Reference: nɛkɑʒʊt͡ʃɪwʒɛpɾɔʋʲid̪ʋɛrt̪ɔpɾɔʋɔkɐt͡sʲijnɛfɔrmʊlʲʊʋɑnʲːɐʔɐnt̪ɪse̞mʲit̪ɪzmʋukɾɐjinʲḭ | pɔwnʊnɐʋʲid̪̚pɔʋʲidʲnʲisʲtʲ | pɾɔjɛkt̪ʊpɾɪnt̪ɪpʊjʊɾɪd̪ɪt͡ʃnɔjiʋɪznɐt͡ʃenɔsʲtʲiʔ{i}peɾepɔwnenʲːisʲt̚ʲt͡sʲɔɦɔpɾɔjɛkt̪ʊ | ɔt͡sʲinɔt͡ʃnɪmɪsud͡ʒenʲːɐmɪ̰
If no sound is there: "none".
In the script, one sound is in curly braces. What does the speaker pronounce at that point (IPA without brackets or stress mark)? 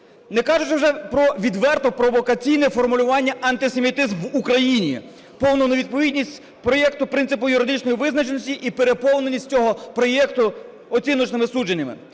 i